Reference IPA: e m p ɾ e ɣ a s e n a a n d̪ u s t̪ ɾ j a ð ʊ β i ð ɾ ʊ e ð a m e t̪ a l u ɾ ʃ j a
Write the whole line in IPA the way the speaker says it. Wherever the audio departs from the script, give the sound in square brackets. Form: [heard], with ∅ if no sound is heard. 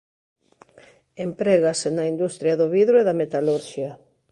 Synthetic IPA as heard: e m p ɾ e ɣ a s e n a [i] n d̪ u s t̪ ɾ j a ð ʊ β i ð ɾ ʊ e ð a m e t̪ a l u ɾ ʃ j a